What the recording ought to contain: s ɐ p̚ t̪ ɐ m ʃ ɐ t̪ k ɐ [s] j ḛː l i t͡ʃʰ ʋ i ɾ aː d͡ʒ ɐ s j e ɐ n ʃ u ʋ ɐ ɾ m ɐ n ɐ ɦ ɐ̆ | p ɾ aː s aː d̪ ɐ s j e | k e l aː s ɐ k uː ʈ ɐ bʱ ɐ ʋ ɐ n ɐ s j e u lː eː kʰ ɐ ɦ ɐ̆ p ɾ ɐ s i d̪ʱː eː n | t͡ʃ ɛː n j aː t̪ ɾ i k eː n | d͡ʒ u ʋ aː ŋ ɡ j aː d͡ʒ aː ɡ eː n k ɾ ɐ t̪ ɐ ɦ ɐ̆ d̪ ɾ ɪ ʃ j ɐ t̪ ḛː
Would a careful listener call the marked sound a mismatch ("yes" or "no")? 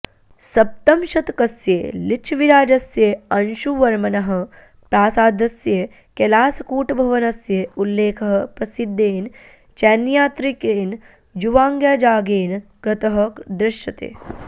no